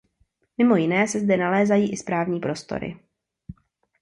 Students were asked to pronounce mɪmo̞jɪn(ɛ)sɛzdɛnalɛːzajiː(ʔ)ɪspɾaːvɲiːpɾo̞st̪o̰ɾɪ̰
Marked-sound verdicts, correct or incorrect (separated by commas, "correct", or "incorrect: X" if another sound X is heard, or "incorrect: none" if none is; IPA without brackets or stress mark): incorrect: ɛː, correct